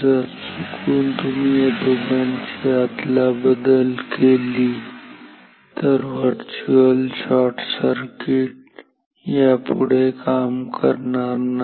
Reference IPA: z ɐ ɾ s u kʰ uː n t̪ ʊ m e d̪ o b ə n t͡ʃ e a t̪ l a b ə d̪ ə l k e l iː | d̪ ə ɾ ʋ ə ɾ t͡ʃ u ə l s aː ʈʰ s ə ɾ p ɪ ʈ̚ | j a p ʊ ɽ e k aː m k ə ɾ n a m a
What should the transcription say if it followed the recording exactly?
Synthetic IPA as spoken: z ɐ ɾ s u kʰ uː n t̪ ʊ m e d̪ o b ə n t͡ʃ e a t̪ l a b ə d̪ ə l k e l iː | t̪ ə ɾ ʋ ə ɾ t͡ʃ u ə l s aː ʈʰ s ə ɾ k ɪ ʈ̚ | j a p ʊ ɽ e k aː m k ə ɾ n a n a